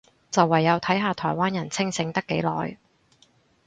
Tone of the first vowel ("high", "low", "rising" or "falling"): low